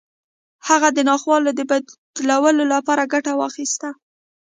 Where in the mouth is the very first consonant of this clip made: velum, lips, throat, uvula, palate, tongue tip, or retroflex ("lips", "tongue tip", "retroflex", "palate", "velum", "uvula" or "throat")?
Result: throat